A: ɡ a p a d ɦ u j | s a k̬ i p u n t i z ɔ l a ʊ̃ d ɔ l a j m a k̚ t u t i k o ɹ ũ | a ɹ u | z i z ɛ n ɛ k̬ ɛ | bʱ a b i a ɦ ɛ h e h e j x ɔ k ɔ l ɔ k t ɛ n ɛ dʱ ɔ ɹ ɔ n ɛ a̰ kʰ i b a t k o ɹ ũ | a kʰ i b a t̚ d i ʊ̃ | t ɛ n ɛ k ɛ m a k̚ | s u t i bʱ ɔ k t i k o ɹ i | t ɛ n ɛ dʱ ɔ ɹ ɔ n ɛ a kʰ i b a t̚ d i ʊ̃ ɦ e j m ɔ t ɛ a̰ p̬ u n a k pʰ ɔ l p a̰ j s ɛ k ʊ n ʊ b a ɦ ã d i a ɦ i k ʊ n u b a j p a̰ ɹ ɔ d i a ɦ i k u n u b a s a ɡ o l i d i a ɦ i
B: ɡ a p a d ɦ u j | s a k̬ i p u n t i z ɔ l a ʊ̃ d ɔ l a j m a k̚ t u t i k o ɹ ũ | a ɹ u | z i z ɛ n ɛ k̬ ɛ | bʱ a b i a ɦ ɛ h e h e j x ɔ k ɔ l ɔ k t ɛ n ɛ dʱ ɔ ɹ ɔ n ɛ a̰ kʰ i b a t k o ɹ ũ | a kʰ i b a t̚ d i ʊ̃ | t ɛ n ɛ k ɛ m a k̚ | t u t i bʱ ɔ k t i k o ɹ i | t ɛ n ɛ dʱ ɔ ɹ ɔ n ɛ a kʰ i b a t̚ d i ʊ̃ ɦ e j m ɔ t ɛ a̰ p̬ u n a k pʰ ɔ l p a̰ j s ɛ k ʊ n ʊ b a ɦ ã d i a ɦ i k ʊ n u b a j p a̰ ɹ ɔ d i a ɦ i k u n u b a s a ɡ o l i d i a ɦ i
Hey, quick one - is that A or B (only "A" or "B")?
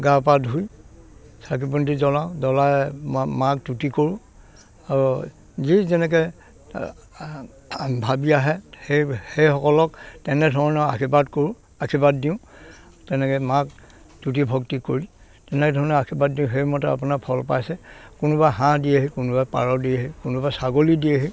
B